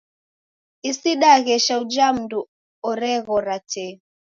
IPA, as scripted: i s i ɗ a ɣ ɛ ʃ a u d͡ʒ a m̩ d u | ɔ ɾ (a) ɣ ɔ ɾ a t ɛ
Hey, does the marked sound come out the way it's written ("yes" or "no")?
no